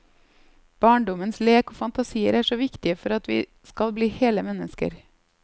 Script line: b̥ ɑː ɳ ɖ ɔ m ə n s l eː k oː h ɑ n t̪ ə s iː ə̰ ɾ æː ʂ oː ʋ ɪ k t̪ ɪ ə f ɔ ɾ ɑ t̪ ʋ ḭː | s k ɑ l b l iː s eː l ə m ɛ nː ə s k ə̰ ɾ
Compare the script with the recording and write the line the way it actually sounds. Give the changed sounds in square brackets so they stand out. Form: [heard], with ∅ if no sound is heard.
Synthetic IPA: b̥ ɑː ɳ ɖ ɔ m ə n s l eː k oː [f] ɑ n t̪ [ɑ] s iː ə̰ ɾ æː ʂ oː ʋ ɪ k t̪ ɪ ə f ɔ ɾ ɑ t̪ ʋ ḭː | s k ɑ l b l iː [h] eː l ə m ɛ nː ə s k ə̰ ɾ

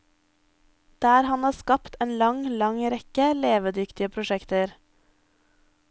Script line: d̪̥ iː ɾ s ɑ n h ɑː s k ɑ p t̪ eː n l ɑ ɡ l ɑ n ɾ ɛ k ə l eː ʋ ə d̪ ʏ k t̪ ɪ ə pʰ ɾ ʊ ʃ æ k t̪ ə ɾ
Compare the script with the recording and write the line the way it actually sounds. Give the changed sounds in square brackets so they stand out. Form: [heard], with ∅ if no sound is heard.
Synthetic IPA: d̪̥ [æː] ɾ [h] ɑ n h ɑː s k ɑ p t̪ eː n l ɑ [ŋ] l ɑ [ŋ] ɾ ɛ k ə l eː ʋ ə d̪ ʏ k t̪ ɪ ə pʰ ɾ ʊ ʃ [ɛ] k t̪ ə ɾ

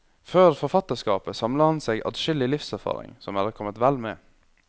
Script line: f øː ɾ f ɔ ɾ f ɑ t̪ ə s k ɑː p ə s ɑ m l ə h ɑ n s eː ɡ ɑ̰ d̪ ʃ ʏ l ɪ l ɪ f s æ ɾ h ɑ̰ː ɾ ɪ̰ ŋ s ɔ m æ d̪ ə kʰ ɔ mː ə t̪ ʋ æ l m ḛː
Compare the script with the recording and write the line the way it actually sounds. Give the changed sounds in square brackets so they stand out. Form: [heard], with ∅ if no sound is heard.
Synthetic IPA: f øː ɾ f ɔ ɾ f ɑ t̪ ə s k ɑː p ə s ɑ m l ə h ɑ n s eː ɡ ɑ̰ d̪ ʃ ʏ l ɪ l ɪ f s æ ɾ [f] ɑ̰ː ɾ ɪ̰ ŋ s ɔ m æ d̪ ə kʰ ɔ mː ə t̪ ʋ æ l m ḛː

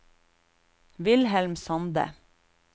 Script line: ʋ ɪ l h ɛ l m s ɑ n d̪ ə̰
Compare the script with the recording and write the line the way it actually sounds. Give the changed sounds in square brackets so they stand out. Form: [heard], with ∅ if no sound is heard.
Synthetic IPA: ʋ ɪ l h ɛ l m s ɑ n d̪ ə̰

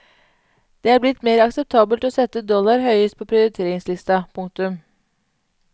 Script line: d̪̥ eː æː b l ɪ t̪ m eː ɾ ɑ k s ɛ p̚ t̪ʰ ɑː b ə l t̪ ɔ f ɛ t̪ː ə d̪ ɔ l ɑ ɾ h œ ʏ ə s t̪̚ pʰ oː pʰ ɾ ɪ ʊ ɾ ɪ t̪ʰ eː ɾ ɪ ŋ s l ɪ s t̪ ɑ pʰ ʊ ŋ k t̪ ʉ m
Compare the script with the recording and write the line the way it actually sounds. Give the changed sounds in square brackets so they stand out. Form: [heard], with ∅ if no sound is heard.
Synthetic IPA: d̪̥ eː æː b l ɪ t̪ m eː ɾ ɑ k s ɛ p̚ t̪ʰ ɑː b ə l t̪ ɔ [s] ɛ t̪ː ə d̪ ɔ l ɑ ɾ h œ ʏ ə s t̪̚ pʰ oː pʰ ɾ ɪ ʊ ɾ ɪ t̪ʰ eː ɾ ɪ ŋ s l ɪ s t̪ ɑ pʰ ʊ ŋ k t̪ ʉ m

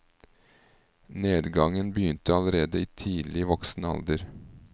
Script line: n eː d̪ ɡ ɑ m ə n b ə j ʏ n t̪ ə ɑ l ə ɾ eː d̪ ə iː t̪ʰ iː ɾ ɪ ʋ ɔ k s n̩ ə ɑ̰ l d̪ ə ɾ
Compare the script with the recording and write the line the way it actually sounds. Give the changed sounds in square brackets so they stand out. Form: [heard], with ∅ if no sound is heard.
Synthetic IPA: n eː d̪ ɡ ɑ [ŋ] ə n b ə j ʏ n t̪ ə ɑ l ə ɾ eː d̪ ə iː t̪ʰ iː [l] ɪ ʋ ɔ k s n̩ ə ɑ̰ l d̪ ə ɾ

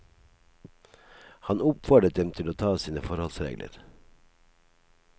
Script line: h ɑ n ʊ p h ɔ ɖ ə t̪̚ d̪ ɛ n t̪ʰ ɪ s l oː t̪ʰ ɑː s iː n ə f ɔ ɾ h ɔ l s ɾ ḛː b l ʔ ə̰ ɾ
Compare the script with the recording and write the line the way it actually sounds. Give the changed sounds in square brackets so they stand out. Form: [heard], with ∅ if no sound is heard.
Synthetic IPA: h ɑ n ʊ p [f] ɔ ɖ ə t̪̚ d̪ ɛ [m] t̪ʰ ɪ [∅] l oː t̪ʰ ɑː s iː n ə f ɔ ɾ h ɔ l s ɾ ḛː [ɡ] l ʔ ə̰ ɾ

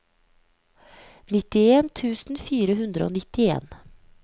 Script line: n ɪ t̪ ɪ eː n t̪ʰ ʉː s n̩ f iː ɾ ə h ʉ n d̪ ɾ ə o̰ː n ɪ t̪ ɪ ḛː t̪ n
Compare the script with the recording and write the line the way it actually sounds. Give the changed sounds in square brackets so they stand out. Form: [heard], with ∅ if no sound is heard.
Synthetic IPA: n ɪ t̪ ɪ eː n t̪ʰ ʉː s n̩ f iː ɾ ə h ʉ n d̪ ɾ ə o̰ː n ɪ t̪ ɪ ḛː [∅] n

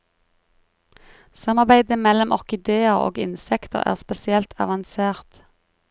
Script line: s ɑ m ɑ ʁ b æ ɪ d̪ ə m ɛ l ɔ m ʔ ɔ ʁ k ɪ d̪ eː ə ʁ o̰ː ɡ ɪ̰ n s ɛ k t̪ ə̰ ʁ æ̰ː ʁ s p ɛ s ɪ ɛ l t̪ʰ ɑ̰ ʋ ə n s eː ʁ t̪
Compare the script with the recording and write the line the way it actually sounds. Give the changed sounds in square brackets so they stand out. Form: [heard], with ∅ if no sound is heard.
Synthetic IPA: s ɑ m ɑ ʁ b æ ɪ d̪ ə m ɛ l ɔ m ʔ ɔ ʁ k ɪ d̪ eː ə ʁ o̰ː ɡ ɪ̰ n s ɛ k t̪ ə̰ ʁ æ̰ː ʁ s p ɛ s ɪ ɛ l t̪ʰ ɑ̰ ʋ [ɑ] n s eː ʁ t̪

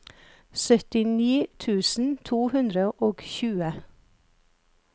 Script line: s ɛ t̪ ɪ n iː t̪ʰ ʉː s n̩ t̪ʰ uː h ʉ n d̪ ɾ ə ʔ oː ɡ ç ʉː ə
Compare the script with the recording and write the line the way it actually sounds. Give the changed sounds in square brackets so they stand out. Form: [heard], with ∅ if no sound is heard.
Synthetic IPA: s [œ] t̪ ɪ n iː t̪ʰ ʉː s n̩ t̪ʰ uː h ʉ n d̪ ɾ ə ʔ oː ɡ ç ʉː ə

